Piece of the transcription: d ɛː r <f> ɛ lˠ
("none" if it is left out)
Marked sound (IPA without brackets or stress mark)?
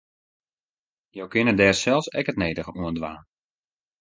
s